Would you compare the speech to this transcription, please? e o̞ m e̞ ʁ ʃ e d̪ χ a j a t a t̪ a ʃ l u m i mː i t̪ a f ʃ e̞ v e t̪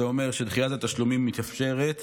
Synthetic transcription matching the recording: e o̞ m e̞ ʁ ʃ e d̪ χ i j a t a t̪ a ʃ l u m i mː i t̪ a f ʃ e̞ ʁ e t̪